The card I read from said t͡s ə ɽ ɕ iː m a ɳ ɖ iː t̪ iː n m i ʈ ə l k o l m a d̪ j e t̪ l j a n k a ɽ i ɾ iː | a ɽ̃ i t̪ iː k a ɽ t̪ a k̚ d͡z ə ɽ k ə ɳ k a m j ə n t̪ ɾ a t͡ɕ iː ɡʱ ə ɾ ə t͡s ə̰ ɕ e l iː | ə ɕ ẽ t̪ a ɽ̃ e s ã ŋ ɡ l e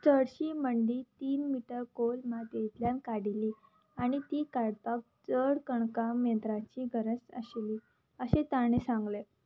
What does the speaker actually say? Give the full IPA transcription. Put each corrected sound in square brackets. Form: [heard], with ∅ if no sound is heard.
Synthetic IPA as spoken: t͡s ə ɽ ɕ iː m [ə] ɳ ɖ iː t̪ iː n m i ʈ ə [ɾ] k o l m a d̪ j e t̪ l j a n k a ɽ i [l] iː | a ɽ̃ i t̪ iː k a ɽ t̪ a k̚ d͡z ə ɽ k ə ɳ k a m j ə n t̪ ɾ a t͡ɕ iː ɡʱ ə ɾ ə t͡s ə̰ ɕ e l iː | ə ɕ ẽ t̪ a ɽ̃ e s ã ŋ ɡ l e